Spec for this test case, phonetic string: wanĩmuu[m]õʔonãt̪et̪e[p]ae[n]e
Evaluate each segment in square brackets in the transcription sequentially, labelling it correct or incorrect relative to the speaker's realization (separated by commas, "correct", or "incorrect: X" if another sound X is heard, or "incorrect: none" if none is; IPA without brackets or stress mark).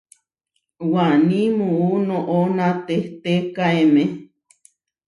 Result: incorrect: n, incorrect: k, incorrect: m